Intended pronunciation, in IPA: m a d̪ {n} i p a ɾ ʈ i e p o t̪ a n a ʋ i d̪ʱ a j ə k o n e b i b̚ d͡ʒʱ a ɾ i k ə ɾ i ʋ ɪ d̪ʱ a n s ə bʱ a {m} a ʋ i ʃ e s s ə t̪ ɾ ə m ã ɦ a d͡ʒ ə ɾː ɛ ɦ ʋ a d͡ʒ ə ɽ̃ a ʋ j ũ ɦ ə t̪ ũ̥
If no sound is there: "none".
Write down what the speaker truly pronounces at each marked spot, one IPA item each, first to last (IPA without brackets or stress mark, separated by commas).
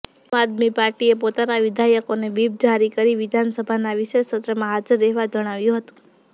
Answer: m, n